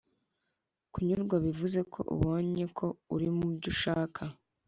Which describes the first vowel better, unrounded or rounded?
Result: rounded